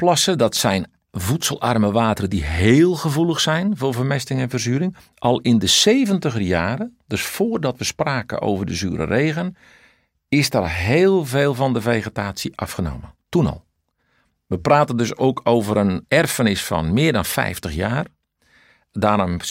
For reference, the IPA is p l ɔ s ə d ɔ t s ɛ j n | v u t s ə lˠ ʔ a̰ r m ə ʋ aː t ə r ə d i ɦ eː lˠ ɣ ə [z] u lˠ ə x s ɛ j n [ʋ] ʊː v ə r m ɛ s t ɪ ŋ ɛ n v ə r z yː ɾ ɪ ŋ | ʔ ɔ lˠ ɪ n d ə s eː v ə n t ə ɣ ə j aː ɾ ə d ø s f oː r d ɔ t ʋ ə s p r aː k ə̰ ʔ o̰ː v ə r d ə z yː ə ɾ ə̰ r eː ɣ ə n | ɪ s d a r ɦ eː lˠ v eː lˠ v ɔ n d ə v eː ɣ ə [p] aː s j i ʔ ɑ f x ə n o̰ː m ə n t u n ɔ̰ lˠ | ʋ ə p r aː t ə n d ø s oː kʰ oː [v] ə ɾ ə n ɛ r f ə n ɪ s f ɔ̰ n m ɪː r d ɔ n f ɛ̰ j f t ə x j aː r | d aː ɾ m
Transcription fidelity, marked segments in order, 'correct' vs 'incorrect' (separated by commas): incorrect, incorrect, incorrect, correct